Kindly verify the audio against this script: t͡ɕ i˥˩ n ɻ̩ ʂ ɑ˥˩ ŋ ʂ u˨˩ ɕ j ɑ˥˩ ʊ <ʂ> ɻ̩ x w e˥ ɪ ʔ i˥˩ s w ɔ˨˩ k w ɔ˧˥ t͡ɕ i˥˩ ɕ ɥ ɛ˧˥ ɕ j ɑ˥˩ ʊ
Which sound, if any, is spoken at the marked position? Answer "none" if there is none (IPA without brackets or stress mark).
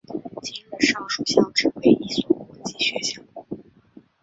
ʈ͡ʂ